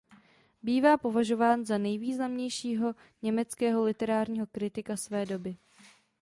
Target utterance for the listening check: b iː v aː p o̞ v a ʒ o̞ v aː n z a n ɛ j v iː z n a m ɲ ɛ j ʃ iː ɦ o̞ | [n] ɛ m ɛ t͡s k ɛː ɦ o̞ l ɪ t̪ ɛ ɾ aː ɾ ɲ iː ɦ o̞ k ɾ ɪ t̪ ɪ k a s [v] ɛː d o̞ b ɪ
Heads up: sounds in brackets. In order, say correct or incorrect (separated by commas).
incorrect, correct